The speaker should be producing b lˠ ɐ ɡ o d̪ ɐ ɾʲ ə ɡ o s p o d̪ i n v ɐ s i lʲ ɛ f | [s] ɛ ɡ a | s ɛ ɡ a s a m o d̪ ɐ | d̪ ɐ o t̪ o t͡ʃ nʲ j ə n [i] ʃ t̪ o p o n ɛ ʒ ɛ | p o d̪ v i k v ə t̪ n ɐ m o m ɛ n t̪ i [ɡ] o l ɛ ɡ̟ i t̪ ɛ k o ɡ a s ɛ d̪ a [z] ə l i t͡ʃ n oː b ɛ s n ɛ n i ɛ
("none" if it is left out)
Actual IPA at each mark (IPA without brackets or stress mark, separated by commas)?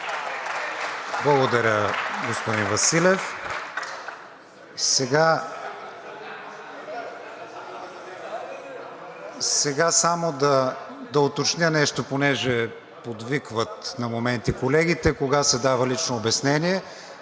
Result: s, ɛ, k, v